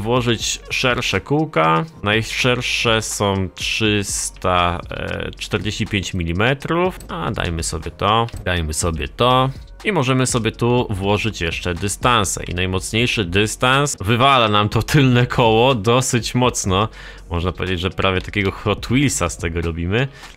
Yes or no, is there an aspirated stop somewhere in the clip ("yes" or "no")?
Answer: yes